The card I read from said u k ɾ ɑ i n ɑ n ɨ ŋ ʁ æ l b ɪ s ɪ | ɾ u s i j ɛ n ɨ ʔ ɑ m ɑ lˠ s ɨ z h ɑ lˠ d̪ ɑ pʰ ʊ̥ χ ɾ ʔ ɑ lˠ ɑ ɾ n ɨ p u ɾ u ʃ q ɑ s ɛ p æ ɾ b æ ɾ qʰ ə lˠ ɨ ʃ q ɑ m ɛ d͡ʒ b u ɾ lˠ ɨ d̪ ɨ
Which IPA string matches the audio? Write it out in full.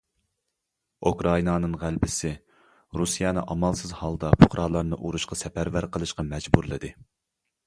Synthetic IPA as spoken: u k ɾ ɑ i n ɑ n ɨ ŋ ʁ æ l b ɪ s ɪ | ɾ u s i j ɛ n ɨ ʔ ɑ m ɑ lˠ s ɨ z h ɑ lˠ d̪ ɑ pʰ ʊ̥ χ ɾ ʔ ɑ lˠ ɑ ɾ n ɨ ʔ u ɾ u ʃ q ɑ s ɛ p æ ɾ v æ ɾ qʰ ə lˠ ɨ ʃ q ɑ m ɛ d͡ʒ b u ɾ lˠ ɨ d̪ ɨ